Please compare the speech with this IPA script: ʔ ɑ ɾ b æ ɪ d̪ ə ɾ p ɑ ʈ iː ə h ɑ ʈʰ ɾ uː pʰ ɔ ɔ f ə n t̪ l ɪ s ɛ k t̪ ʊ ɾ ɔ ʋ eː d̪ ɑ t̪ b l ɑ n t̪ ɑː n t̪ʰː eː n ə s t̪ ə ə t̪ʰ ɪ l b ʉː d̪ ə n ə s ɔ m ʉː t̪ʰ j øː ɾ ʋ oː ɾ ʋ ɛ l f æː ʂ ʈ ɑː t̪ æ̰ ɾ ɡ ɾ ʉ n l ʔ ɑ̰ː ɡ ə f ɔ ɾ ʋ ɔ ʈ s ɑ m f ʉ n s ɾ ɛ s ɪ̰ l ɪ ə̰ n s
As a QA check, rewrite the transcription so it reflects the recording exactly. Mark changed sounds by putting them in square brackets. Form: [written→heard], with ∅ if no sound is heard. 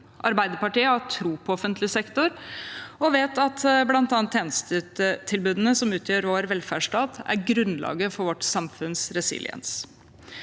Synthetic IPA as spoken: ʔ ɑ ɾ b æ ɪ d̪ ə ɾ p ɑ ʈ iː ə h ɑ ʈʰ ɾ uː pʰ ɔ ɔ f ə n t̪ l ɪ s ɛ k t̪ ʊ ɾ ɔ ʋ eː [d̪→t̪] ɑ t̪ b l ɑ n t̪ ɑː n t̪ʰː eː n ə s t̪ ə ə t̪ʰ ɪ l b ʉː d̪ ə n ə s ɔ m ʉː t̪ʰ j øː ɾ ʋ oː ɾ ʋ ɛ l f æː ʂ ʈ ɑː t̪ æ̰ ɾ ɡ ɾ ʉ n l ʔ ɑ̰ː ɡ ə f ɔ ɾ ʋ ɔ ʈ s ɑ m f ʉ n s ɾ ɛ s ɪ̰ l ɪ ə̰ n s